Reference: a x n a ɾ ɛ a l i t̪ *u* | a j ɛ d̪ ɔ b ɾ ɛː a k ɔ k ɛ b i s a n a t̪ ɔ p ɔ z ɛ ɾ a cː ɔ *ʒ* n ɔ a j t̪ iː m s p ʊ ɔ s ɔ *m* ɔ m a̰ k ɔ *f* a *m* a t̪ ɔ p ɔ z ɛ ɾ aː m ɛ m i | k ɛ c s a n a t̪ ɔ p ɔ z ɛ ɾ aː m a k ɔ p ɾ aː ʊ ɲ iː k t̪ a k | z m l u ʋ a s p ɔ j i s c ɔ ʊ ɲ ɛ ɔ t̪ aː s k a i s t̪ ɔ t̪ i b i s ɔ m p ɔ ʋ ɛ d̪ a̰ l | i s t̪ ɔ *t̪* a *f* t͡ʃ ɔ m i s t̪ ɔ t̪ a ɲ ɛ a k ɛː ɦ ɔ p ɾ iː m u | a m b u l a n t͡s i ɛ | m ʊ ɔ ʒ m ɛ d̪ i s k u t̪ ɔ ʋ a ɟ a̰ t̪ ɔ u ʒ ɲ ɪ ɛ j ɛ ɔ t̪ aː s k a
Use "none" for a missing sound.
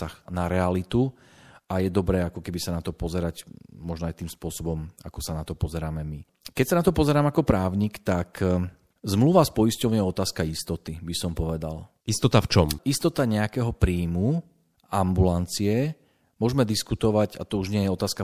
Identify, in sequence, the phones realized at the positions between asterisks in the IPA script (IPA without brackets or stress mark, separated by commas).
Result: u, ʒ, b, s, n, t̪, f